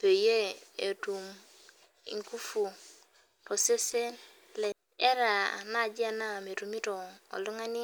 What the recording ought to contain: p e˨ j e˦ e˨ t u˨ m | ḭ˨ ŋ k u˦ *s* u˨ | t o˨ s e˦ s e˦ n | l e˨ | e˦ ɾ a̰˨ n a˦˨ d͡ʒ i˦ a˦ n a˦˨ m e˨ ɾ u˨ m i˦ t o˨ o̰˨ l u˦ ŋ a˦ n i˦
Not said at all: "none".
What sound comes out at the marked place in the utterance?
f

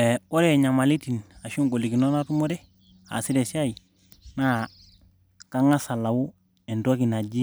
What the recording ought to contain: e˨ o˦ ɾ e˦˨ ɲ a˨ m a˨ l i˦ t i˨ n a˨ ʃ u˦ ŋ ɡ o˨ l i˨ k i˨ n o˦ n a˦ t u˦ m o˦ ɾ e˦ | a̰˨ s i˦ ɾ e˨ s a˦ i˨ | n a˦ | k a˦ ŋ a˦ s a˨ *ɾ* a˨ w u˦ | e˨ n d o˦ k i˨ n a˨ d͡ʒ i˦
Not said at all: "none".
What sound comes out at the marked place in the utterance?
l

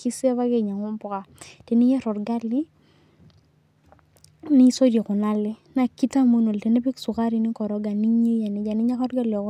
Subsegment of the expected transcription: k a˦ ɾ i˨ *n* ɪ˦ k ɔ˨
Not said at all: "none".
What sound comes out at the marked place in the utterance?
n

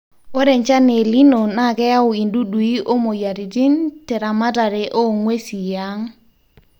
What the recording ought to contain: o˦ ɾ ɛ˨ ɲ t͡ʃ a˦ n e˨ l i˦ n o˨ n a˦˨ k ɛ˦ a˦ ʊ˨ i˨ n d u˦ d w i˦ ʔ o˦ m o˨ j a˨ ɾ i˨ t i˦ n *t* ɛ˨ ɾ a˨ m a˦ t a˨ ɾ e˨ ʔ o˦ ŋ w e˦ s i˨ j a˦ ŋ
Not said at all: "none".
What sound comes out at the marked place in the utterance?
t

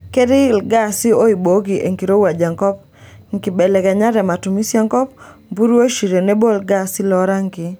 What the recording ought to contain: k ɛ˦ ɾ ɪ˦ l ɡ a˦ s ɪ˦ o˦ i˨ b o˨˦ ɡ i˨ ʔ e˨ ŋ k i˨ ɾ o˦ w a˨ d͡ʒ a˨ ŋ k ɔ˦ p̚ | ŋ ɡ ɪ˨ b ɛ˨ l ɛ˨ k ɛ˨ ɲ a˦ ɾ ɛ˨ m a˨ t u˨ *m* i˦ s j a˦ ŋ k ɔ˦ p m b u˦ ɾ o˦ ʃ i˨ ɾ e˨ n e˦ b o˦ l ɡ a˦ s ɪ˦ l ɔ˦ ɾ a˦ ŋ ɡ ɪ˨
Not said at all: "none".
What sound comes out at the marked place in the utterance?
m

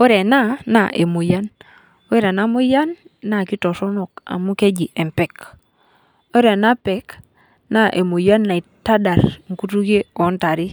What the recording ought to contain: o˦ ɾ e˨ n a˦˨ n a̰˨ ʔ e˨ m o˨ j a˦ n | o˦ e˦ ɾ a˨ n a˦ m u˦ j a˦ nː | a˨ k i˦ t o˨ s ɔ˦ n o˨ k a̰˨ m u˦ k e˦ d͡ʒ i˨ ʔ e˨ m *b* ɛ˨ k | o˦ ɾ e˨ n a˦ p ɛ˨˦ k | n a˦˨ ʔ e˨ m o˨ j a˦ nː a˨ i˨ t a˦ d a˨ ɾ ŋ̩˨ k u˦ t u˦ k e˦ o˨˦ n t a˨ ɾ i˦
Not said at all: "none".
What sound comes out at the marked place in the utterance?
p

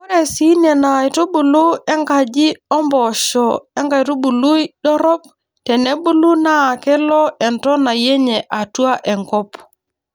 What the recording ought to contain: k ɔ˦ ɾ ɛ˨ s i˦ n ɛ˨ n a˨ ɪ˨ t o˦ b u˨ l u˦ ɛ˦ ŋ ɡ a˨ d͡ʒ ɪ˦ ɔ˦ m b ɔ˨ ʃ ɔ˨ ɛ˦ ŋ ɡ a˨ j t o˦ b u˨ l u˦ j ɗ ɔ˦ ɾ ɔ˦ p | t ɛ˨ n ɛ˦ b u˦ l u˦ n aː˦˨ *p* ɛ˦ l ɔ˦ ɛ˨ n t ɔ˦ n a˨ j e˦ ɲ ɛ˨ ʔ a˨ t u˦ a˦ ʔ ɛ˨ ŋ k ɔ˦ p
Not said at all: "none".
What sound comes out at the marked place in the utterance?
k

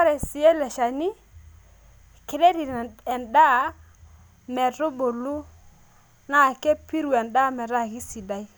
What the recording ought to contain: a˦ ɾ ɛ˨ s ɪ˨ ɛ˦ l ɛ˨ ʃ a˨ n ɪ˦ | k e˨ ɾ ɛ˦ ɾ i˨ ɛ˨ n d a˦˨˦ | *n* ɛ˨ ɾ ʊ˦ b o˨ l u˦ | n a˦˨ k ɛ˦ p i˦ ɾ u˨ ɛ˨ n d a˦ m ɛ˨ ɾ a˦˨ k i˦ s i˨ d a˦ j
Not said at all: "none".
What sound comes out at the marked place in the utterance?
m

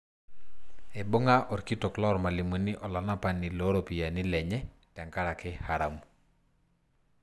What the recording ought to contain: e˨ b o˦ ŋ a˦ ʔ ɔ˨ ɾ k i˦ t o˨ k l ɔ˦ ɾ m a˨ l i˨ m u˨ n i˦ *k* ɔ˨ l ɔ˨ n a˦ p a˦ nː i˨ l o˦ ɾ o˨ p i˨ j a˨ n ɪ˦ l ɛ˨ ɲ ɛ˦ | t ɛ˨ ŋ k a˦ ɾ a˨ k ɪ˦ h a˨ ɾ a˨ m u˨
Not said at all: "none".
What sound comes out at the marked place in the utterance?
ʔ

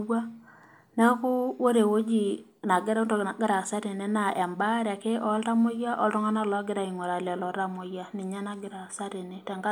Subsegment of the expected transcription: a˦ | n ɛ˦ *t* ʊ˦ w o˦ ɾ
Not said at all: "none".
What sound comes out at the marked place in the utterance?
k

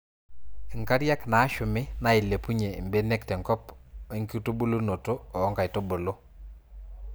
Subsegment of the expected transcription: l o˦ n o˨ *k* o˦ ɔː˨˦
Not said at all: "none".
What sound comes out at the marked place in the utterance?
t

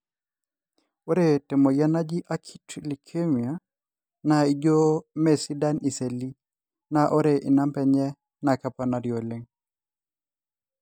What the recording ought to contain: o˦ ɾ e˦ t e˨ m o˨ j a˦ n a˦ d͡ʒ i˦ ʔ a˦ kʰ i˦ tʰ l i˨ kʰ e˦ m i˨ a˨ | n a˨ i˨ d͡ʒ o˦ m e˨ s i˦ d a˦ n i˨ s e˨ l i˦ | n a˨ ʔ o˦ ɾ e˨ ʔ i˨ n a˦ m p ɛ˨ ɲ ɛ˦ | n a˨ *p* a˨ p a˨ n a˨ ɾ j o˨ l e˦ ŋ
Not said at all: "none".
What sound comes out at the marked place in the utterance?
k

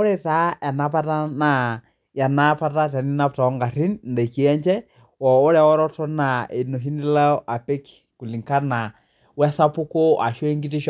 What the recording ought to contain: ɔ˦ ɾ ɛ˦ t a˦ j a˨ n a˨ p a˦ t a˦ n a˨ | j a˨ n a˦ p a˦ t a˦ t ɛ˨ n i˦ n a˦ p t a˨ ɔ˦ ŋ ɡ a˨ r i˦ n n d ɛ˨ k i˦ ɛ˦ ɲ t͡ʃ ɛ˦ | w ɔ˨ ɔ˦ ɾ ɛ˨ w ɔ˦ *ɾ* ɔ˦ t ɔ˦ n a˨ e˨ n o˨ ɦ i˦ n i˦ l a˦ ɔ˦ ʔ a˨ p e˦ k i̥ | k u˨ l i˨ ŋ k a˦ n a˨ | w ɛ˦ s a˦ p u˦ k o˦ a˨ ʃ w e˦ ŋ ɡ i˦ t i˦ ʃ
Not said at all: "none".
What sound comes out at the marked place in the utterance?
ɾ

